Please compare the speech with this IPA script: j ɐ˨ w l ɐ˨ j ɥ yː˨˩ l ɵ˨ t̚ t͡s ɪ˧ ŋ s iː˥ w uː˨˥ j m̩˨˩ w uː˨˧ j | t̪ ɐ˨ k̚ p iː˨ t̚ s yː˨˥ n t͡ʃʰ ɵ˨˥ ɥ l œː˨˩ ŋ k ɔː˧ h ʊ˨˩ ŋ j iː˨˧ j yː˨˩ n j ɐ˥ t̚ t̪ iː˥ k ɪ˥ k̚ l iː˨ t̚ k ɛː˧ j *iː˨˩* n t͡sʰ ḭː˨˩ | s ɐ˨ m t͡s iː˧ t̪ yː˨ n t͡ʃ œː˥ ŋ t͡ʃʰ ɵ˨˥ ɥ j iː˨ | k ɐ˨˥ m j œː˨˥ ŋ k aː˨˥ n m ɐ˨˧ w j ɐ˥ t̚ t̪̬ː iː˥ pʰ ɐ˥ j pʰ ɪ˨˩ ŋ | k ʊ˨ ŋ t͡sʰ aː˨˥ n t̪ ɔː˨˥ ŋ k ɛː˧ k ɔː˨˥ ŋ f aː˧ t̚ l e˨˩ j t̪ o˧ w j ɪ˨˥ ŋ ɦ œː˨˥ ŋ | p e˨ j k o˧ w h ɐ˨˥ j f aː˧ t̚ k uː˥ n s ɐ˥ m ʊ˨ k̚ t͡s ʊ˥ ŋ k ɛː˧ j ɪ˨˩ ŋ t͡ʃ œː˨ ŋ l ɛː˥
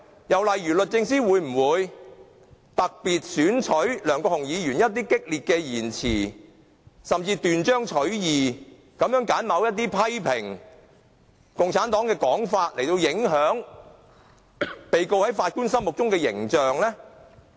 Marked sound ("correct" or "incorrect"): correct